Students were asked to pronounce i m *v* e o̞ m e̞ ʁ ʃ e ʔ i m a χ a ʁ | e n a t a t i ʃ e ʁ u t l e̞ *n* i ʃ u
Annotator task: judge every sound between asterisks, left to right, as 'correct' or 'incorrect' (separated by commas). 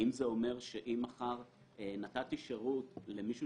incorrect, incorrect